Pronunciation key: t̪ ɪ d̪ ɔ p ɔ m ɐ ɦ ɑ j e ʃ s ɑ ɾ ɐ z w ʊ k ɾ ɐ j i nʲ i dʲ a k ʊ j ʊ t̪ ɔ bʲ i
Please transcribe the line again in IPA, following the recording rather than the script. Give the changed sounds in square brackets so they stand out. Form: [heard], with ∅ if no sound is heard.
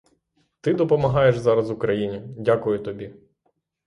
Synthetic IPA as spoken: t̪ ɪ d̪ ɔ p ɔ m ɐ ɦ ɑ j e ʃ [z] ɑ ɾ ɐ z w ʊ k ɾ ɐ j i nʲ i dʲ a k ʊ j ʊ t̪ ɔ bʲ i